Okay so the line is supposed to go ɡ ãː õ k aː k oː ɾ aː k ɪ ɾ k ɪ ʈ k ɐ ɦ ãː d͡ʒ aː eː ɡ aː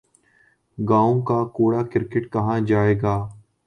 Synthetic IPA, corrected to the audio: ɡ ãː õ k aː k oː ɽ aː k ɪ ɾ k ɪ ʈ k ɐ ɦ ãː d͡ʒ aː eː ɡ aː